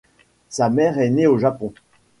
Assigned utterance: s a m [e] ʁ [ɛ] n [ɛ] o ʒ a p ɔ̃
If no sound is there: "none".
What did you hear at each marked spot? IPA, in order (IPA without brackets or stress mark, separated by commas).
ɛ, ɛ, e